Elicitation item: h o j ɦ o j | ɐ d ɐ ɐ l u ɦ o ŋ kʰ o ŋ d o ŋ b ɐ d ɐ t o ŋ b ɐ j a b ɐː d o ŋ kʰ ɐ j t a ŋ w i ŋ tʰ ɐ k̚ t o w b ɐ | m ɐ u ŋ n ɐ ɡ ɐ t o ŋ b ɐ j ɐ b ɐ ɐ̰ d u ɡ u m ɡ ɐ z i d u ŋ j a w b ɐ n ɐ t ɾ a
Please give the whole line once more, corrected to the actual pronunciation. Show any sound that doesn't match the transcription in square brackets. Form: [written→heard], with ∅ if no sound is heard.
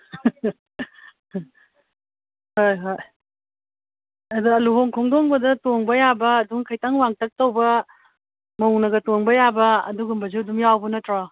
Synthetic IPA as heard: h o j ɦ o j | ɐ d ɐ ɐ l u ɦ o ŋ kʰ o ŋ d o ŋ b ɐ d ɐ t o ŋ b ɐ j a b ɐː d [o→u] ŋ kʰ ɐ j t a ŋ w [i→a] ŋ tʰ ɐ k̚ t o w b ɐ | m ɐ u ŋ n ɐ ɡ ɐ t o ŋ b ɐ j [ɐ→a] b ɐ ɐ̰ d u ɡ u m [ɡ→b] ɐ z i d u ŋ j a w b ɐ n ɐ t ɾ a